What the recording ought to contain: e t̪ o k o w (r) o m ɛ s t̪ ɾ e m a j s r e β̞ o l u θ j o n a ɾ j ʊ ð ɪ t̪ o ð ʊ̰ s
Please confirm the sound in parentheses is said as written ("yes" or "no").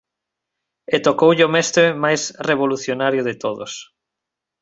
no